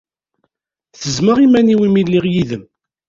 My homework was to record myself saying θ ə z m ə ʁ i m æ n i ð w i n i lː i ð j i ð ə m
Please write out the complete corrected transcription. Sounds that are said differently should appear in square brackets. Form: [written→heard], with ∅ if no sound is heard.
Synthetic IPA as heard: θ ə z m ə ʁ i m æ n i [ð→∅] w i [n→m] i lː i [ð→ʁ] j i ð ə m